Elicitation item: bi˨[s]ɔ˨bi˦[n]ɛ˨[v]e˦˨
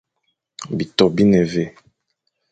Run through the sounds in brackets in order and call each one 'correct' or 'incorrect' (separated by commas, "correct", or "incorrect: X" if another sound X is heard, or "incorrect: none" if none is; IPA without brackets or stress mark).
incorrect: t, correct, correct